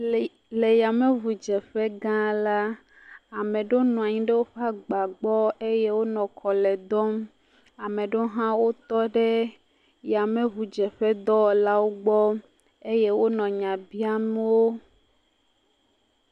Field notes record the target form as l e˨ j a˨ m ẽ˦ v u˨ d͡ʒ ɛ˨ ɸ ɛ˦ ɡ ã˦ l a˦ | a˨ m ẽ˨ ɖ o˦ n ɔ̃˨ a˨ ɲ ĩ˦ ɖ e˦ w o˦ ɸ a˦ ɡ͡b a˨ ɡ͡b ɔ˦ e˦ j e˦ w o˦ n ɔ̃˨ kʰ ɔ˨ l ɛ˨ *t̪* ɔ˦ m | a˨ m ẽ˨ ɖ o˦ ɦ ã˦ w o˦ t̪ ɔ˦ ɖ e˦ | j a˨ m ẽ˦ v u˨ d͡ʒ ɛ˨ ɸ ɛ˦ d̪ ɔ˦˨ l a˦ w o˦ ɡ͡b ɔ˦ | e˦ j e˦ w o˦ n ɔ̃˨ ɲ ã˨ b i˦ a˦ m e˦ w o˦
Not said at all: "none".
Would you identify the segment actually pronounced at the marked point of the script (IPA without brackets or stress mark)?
d̪